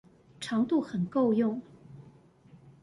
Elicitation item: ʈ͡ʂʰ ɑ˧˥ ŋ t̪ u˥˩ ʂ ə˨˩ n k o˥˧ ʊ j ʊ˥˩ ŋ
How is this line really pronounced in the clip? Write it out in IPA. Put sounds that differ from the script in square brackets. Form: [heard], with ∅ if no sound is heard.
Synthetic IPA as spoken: ʈ͡ʂʰ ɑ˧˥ ŋ t̪ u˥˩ [x] ə˨˩ n k o˥˧ ʊ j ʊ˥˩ ŋ